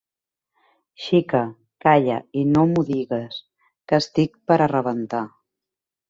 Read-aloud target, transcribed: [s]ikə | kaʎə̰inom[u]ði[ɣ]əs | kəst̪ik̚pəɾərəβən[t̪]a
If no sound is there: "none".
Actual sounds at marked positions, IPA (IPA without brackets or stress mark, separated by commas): ʃ, u, ɣ, t̪